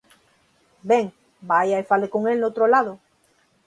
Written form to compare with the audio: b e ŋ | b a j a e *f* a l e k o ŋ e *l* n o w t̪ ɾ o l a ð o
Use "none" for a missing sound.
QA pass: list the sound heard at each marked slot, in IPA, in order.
f, l

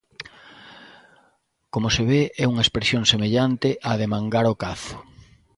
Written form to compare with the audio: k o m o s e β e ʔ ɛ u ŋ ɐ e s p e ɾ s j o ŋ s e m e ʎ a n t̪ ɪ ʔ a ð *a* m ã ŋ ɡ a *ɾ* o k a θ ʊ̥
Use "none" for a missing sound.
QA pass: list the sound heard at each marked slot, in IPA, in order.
e, ɾ

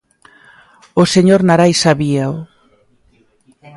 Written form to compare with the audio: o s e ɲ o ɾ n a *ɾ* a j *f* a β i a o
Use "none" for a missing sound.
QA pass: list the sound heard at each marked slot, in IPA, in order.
ɾ, s

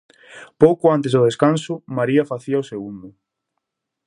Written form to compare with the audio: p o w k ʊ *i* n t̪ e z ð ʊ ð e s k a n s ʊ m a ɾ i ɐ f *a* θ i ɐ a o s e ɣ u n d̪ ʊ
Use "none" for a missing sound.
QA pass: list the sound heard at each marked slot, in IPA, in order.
a, a

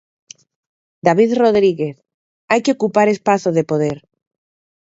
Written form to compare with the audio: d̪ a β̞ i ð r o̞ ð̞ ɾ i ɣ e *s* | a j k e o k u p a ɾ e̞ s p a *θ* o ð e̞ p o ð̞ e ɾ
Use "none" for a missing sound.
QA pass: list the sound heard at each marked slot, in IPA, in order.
θ, θ

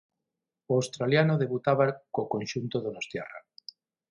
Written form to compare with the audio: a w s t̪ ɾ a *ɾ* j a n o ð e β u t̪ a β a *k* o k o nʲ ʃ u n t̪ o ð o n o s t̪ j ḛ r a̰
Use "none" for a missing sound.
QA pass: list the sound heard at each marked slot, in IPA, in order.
l, k

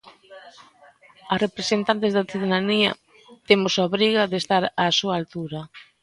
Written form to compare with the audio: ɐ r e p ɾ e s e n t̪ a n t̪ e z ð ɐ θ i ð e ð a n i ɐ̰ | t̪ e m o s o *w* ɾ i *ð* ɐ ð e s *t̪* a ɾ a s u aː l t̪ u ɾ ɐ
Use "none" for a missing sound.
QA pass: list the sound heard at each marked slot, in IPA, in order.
β, ɣ, t̪

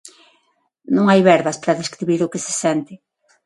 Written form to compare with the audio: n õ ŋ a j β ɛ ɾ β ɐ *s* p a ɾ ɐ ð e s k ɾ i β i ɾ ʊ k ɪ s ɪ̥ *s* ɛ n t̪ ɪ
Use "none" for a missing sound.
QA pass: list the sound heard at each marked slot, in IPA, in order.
s, s

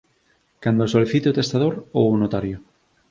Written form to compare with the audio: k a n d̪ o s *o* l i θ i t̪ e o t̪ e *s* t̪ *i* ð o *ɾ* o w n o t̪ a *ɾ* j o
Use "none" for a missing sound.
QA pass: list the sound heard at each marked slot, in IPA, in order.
o, s, a, ɾ, ɾ

